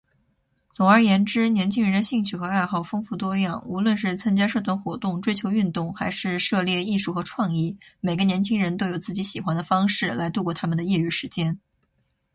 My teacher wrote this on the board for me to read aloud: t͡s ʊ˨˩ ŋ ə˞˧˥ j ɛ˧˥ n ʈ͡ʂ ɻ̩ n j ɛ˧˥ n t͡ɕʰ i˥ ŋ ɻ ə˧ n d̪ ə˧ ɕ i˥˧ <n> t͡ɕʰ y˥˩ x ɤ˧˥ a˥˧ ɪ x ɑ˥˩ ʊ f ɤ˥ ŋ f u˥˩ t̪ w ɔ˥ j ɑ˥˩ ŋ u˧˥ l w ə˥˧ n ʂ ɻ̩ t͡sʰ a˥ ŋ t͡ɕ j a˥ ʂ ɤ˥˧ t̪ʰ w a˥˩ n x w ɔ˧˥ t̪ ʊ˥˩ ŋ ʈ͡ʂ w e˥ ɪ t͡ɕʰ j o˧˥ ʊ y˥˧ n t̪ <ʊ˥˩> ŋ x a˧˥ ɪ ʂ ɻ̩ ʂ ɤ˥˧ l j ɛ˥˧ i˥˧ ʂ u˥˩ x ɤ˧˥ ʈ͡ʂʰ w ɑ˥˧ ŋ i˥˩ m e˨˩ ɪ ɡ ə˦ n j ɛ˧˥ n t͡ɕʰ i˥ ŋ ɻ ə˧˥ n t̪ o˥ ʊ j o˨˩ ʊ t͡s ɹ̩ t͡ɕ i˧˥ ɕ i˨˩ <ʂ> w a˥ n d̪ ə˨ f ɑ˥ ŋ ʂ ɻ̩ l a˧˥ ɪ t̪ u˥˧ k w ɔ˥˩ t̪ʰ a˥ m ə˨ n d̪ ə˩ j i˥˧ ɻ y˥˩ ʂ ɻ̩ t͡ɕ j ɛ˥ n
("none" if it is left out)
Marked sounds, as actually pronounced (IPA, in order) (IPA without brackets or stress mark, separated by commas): ŋ, ʊ˥˩, x